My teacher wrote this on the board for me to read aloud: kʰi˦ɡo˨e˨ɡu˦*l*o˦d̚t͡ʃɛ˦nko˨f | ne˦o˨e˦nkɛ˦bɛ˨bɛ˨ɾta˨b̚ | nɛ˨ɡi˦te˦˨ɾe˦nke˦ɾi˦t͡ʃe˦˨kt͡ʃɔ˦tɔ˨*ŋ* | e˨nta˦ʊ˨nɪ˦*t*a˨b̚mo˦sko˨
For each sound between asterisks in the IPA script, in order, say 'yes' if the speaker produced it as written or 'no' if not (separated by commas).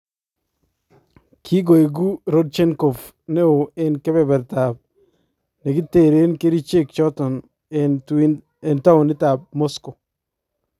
no, no, yes